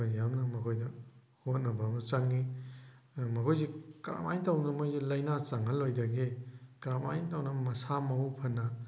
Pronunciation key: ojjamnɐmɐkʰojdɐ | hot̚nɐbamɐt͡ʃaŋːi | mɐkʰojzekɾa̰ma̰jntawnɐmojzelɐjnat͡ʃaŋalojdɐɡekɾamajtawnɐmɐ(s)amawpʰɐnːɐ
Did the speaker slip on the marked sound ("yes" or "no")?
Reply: no